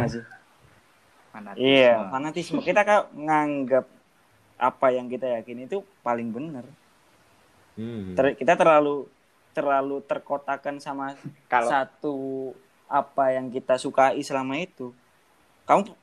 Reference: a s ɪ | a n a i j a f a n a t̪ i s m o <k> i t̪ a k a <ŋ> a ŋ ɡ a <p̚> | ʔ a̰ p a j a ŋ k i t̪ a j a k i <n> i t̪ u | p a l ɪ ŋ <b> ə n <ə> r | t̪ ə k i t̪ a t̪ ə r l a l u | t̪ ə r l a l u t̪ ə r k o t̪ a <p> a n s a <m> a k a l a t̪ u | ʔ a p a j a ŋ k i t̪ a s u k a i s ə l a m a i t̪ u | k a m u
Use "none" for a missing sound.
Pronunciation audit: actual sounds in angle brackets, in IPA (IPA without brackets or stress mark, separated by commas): k, ŋ, p̚, n, b, ə, k, m